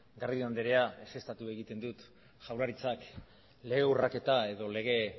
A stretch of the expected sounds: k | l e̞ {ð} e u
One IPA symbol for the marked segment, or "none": ɣ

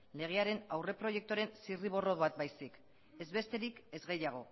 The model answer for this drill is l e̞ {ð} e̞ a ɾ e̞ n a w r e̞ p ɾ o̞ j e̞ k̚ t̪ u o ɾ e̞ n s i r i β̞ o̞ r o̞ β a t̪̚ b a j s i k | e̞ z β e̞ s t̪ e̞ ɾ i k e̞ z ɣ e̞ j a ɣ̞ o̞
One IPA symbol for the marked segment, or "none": ɣ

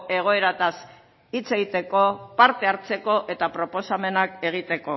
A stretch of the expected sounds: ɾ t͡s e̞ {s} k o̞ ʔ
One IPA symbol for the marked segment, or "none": none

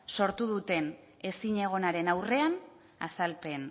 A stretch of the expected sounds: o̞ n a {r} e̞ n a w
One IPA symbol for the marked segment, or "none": ɾ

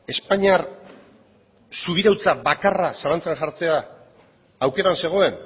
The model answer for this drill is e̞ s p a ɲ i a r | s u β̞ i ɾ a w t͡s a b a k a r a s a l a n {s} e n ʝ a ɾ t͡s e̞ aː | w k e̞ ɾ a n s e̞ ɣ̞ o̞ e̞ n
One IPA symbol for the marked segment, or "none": t͡s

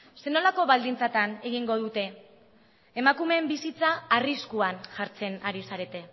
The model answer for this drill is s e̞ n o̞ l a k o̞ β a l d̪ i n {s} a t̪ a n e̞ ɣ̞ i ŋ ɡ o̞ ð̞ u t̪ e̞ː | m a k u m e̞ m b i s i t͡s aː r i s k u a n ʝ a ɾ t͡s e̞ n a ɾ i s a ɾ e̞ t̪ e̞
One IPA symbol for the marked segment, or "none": t͡s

